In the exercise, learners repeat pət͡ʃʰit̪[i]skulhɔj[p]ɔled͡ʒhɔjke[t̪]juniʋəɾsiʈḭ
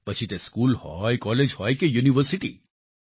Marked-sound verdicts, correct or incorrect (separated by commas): incorrect, incorrect, incorrect